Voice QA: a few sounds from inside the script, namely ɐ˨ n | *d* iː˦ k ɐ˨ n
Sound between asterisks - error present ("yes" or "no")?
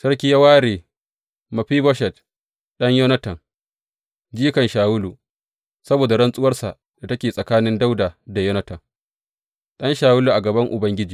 yes